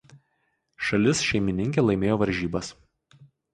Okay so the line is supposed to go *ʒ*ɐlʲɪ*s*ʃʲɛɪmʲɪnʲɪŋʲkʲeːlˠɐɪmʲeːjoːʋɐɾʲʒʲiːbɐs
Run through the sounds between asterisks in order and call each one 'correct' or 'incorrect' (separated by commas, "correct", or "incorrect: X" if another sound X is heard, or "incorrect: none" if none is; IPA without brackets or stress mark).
incorrect: ʃ, correct